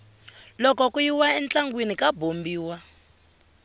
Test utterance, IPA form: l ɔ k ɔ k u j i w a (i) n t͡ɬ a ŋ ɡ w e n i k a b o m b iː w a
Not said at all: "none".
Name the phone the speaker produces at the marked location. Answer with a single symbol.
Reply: ɛ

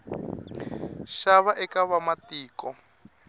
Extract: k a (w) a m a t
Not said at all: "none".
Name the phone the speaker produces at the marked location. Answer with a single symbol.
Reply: β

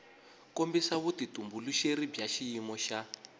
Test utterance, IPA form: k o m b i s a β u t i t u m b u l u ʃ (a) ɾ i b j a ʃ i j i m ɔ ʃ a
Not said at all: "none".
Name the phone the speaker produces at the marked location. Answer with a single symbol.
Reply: e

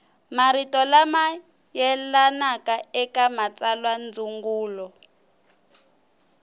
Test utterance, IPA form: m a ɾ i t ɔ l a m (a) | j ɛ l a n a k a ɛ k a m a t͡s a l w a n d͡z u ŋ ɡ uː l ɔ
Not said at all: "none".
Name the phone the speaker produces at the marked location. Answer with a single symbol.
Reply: a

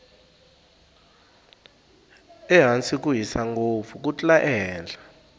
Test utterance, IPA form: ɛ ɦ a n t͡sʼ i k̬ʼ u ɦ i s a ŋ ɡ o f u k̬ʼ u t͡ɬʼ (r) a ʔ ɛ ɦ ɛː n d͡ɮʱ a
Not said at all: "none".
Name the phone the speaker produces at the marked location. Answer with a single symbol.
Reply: l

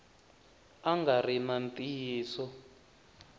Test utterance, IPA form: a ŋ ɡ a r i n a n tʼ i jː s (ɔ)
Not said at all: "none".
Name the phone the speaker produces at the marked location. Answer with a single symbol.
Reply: ɔ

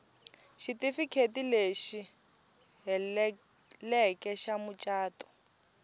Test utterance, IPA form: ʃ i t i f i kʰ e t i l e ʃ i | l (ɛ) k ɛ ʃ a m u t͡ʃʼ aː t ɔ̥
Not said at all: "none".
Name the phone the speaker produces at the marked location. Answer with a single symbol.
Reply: ɛ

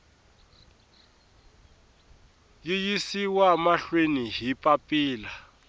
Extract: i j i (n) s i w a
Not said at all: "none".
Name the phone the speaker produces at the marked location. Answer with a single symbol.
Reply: none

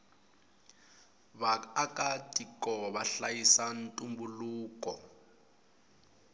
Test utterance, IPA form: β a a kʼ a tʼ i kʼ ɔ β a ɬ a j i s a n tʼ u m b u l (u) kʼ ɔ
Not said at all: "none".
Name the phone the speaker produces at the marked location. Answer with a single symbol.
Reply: uː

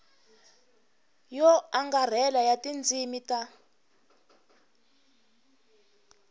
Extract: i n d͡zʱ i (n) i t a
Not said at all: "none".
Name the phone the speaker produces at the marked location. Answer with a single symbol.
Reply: m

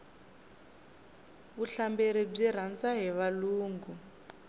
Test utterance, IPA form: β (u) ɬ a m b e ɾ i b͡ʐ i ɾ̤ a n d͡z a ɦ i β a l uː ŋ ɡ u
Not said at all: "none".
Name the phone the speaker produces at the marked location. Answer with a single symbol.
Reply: u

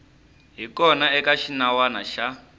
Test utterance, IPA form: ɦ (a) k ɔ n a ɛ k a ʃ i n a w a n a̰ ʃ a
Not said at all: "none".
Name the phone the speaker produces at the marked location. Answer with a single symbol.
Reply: i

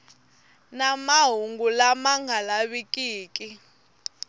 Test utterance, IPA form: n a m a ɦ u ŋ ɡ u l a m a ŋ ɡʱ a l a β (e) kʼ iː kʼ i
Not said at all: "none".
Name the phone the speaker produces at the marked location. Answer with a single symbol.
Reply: i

